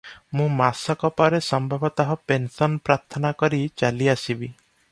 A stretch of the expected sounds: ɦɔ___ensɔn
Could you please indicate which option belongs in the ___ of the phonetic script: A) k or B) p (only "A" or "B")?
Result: B